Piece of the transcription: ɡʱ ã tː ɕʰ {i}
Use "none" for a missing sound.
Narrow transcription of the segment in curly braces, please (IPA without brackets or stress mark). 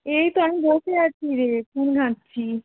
i